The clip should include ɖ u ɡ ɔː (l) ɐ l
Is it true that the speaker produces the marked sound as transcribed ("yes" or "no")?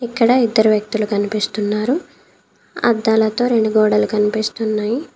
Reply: no